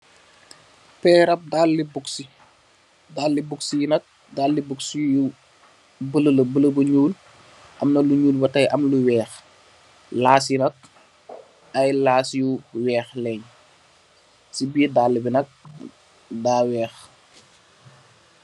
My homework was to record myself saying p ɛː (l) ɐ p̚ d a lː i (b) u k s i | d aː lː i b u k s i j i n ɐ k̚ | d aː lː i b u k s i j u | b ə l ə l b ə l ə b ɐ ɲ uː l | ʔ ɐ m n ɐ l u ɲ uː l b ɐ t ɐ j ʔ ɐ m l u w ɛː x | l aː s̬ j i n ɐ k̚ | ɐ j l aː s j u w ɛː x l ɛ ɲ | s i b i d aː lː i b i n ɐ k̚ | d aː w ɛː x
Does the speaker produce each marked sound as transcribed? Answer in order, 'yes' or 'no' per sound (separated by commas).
no, yes